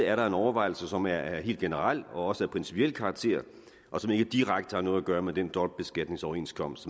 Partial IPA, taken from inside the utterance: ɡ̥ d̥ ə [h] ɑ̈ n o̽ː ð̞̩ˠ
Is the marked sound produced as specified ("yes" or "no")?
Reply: yes